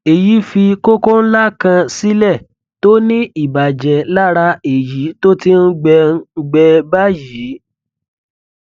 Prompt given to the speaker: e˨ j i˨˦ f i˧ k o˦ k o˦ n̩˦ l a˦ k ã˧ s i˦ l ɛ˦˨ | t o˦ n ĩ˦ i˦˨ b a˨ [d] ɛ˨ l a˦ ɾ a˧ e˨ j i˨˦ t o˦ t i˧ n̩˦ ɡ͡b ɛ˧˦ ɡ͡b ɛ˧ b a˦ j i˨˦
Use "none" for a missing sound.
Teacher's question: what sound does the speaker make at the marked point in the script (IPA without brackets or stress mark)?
d͡ʒ